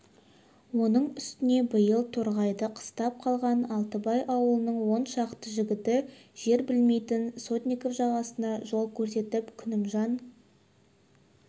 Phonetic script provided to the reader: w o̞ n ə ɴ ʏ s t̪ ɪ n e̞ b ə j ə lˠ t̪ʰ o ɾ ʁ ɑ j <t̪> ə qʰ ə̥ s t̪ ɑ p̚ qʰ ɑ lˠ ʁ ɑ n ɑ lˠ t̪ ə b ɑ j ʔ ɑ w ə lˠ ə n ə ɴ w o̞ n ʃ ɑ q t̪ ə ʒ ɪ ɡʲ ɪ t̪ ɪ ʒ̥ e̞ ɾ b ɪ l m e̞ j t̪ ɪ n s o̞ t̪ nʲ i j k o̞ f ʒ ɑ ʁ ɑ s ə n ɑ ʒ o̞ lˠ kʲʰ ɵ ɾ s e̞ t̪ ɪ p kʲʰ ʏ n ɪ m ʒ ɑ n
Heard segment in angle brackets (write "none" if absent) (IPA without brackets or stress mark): d̪